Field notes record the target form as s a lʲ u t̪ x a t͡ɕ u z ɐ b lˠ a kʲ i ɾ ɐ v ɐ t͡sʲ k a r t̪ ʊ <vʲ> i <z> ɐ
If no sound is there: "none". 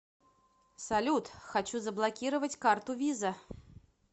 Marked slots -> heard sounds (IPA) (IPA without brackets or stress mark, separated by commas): vʲ, z